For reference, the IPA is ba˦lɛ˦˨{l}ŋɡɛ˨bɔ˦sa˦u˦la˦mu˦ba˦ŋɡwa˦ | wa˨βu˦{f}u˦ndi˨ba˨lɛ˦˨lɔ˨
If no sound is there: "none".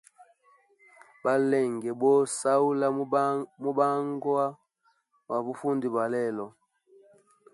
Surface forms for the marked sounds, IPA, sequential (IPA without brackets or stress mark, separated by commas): none, f